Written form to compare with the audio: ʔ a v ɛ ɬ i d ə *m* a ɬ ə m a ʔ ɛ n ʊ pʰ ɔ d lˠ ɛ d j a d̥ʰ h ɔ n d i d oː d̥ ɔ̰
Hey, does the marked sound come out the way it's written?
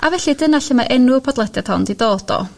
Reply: no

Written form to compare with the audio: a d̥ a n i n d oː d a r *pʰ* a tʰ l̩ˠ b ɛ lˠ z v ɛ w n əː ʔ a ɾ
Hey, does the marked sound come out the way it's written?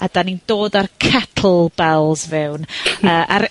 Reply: no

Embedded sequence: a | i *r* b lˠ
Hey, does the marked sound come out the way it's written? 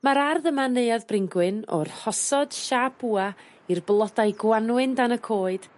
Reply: yes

